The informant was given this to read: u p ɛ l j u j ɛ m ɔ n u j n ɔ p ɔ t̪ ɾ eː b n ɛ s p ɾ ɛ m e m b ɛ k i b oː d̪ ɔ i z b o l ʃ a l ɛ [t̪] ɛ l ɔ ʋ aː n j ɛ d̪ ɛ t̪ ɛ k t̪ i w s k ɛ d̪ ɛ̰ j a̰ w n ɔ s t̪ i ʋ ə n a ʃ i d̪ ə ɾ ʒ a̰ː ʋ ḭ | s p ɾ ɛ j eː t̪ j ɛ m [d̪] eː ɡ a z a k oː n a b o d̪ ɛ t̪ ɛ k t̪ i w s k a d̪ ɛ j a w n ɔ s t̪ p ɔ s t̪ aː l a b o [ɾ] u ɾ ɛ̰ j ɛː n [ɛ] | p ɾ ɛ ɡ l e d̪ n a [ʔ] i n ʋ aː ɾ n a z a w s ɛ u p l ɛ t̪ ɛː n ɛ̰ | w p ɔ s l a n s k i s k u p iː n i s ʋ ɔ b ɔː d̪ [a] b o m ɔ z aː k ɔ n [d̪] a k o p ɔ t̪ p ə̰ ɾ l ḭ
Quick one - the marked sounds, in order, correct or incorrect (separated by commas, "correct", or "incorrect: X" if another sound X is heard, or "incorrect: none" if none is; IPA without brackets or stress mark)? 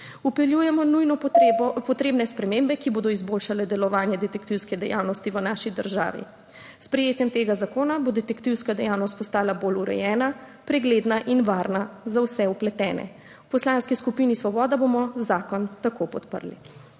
incorrect: d̪, incorrect: t̪, incorrect: l, incorrect: a, correct, correct, incorrect: t̪